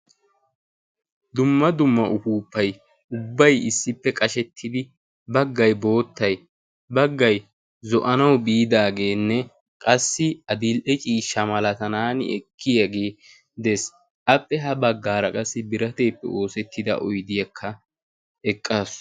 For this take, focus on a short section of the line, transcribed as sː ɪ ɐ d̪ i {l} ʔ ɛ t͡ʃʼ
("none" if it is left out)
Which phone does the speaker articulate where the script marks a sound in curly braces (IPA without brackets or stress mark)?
l